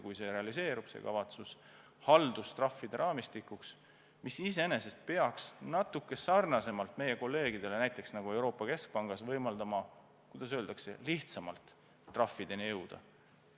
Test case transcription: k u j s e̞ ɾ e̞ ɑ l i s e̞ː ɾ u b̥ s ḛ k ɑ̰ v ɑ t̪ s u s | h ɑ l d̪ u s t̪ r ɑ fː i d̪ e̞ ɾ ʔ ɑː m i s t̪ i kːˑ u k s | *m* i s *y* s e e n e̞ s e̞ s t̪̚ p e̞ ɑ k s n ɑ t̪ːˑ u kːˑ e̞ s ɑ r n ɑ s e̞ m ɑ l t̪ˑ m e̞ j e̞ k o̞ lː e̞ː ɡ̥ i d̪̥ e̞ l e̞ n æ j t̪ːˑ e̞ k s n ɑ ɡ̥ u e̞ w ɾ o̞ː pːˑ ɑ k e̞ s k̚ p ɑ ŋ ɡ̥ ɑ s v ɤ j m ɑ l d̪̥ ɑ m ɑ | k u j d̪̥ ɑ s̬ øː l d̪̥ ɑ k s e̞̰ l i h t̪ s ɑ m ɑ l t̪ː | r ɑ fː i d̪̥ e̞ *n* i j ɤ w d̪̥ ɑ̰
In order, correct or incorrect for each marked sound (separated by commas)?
correct, incorrect, correct